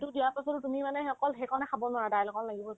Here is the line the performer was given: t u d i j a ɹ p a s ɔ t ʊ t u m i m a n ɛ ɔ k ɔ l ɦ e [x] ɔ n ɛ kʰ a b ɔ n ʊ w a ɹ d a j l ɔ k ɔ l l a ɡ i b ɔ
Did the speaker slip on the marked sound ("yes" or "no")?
yes